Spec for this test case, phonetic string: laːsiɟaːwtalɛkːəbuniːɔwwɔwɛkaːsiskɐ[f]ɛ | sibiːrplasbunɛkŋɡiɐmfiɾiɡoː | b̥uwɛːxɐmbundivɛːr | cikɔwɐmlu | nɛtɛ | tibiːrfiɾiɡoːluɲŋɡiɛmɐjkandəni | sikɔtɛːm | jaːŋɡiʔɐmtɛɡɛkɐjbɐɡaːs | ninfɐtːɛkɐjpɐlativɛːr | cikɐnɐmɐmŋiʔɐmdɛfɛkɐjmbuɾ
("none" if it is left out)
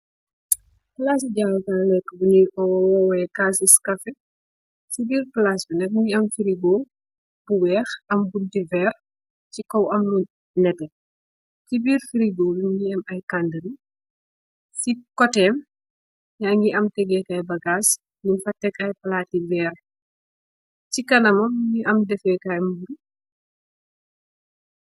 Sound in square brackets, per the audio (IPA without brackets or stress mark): f